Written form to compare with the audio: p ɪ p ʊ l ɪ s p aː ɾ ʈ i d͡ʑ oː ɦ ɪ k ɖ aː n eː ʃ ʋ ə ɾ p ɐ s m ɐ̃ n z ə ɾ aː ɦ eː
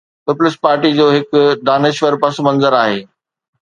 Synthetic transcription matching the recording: p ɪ p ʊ l ɪ s p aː ɾ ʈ i d͡ʑ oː ɦ ɪ k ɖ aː n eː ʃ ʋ ə ɾ p ɐ s m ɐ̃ n z ə ɾ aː ɦ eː